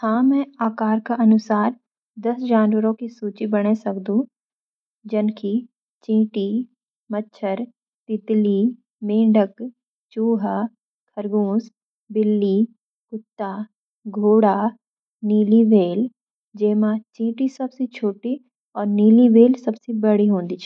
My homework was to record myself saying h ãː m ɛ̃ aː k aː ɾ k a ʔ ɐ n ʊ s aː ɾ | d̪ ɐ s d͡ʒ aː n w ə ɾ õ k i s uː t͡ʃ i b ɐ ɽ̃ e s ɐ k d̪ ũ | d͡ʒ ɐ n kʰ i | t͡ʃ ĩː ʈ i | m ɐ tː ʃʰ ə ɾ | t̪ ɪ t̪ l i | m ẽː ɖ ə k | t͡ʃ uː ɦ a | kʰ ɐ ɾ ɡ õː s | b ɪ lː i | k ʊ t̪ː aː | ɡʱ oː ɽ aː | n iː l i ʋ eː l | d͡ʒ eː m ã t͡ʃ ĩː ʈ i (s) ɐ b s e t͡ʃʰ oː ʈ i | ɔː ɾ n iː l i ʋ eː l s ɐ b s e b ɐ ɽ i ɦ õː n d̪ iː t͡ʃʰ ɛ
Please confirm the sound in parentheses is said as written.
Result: yes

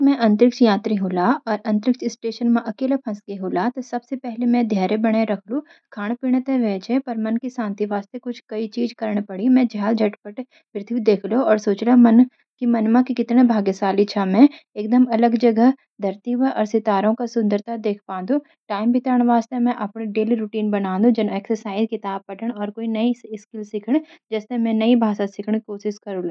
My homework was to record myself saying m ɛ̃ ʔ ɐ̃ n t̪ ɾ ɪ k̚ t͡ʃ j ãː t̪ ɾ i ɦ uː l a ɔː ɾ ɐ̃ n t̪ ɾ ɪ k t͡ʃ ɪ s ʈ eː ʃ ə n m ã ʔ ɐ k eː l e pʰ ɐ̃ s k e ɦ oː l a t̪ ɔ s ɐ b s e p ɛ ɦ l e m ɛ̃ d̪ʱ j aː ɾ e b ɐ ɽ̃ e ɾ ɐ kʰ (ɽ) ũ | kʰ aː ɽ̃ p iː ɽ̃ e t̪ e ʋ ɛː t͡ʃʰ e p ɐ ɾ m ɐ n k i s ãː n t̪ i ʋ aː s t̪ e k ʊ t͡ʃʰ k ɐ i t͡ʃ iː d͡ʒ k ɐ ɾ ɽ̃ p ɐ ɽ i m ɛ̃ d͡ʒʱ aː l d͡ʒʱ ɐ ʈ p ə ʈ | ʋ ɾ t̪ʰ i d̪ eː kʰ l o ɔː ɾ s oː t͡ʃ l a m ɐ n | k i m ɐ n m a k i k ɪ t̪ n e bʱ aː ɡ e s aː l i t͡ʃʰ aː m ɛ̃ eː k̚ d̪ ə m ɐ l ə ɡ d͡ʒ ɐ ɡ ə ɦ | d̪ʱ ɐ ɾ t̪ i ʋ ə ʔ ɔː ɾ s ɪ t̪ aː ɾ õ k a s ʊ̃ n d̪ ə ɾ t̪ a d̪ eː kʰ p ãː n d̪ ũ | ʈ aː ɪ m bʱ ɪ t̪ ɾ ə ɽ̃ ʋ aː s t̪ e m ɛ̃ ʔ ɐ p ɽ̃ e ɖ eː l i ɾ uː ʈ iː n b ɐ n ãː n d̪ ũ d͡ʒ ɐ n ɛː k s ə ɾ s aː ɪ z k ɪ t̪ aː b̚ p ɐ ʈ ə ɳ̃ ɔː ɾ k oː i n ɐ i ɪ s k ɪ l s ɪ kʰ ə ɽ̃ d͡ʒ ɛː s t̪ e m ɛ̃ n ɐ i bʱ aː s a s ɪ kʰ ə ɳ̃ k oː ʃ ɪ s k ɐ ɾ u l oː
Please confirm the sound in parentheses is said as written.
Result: no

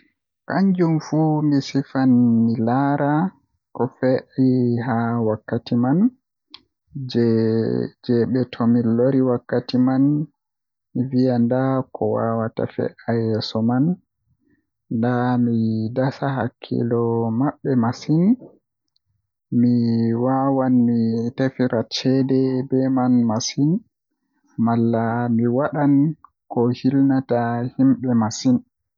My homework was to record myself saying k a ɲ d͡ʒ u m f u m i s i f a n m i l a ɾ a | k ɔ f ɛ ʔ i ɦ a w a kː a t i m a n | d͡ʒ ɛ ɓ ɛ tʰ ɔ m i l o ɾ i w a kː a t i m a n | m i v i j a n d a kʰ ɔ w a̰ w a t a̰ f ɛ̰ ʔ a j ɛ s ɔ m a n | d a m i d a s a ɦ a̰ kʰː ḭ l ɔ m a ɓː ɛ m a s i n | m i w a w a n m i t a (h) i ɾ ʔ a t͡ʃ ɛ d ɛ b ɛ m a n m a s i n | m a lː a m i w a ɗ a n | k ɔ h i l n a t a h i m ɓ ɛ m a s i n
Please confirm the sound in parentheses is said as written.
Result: no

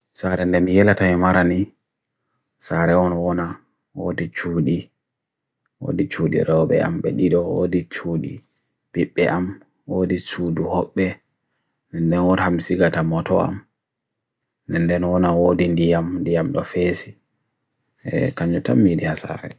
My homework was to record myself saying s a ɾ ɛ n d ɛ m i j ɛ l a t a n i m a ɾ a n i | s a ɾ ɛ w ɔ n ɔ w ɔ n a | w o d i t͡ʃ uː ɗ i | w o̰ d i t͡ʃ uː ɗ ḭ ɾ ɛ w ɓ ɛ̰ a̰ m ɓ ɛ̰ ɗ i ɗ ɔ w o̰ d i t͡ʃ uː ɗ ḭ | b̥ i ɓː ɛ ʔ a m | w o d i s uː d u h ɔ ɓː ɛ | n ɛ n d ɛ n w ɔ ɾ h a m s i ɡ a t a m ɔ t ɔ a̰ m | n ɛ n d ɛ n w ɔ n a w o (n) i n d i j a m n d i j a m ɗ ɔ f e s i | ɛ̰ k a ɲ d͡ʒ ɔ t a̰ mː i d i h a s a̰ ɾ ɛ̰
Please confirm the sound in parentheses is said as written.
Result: no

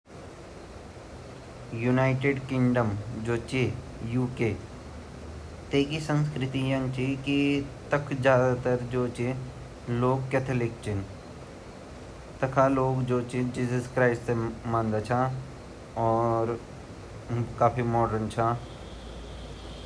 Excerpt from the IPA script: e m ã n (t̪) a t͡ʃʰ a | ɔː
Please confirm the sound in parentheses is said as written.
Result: no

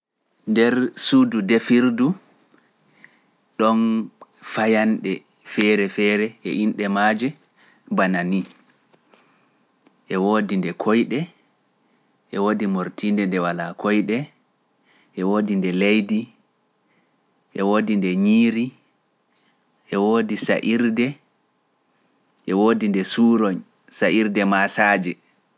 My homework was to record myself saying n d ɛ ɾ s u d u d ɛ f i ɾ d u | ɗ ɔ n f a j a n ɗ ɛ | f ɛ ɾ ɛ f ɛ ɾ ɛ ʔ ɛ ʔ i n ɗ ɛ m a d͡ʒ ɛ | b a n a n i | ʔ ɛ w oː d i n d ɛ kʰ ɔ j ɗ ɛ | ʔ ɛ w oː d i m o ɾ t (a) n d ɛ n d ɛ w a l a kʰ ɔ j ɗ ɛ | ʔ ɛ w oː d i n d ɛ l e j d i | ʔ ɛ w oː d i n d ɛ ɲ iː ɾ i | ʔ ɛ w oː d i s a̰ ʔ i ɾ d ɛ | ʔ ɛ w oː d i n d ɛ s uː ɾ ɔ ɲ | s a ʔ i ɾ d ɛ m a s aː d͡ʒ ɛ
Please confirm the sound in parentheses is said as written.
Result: no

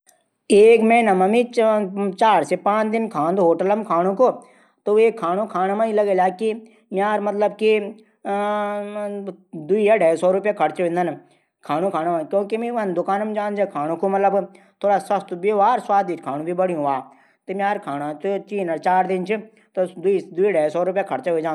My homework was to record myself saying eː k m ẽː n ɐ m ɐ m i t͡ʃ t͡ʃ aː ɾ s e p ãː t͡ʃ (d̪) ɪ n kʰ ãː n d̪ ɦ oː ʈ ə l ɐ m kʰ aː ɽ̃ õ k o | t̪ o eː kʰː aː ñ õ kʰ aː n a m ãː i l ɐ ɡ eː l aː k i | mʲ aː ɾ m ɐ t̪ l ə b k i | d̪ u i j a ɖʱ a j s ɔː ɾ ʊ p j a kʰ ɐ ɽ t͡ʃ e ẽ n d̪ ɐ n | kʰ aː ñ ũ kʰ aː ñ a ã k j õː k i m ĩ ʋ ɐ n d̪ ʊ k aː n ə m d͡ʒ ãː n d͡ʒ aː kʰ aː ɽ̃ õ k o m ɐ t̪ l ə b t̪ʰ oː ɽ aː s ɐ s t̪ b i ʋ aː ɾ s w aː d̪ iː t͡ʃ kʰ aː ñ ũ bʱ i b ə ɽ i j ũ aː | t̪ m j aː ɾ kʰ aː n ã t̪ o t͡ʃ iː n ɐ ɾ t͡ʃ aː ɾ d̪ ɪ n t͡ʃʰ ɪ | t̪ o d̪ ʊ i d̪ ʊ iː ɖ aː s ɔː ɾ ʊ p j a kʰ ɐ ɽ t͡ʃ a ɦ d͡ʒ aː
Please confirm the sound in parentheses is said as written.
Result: yes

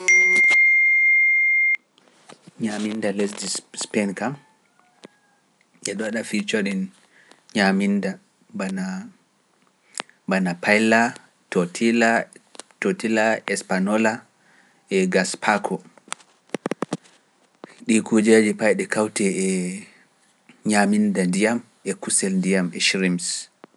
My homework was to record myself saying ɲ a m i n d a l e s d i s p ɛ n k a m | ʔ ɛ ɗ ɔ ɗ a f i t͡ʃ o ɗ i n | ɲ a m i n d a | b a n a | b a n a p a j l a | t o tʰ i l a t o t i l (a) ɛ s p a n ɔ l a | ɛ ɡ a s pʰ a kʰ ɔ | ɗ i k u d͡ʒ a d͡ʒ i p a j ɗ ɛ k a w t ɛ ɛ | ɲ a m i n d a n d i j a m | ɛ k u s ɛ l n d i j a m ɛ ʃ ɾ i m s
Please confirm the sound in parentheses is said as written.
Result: yes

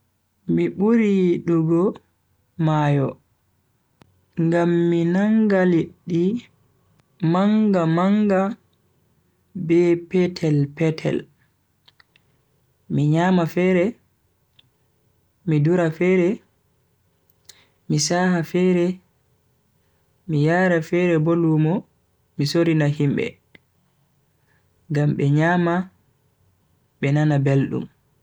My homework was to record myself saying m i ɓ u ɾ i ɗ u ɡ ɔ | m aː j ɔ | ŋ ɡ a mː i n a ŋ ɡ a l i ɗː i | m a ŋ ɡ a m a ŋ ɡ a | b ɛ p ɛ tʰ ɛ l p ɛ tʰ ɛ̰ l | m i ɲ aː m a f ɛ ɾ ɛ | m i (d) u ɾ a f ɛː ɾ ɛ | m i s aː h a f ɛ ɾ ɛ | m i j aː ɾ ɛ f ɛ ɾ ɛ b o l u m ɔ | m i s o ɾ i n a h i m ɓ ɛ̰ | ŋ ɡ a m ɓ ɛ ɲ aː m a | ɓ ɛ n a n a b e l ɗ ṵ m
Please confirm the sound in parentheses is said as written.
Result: yes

